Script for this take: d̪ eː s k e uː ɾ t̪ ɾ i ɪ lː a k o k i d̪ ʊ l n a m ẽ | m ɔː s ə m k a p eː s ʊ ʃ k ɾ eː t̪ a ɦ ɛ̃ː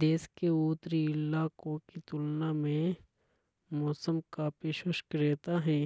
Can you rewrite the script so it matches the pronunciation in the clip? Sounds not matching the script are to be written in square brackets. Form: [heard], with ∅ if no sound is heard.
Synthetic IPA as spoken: d̪ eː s k e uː [∅] t̪ ɾ i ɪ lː a k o k i [t̪] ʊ l n a m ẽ | m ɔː s ə m k a p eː [ʃ] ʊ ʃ k ɾ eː t̪ a ɦ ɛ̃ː